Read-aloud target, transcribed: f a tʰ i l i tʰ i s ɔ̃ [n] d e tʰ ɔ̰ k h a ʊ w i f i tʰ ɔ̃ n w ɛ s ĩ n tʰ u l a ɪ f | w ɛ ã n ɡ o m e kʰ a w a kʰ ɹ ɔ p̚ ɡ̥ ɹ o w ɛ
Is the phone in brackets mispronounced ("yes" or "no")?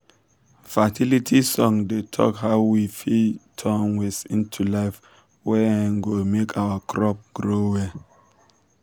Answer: yes